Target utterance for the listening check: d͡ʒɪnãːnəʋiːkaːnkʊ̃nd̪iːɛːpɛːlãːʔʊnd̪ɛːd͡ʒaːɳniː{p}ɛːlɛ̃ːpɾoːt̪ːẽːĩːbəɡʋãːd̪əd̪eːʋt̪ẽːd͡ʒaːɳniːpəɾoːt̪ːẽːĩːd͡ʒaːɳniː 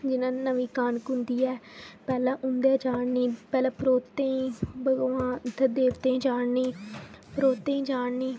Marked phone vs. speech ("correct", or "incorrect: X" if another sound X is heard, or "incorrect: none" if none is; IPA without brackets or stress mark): correct